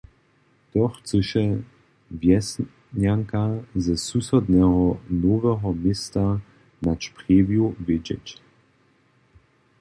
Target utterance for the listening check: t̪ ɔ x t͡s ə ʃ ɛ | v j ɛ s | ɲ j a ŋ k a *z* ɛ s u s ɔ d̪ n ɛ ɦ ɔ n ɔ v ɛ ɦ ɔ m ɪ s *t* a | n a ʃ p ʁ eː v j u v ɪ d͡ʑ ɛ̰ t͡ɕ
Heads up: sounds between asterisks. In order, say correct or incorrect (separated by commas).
correct, correct